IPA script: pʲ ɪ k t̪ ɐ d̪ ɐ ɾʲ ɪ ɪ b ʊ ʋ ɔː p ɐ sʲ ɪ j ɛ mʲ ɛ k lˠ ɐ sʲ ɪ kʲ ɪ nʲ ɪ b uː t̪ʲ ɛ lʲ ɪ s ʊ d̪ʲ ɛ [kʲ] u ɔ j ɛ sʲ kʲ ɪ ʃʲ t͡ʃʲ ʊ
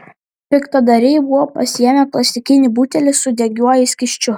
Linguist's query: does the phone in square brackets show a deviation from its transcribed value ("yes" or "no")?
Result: yes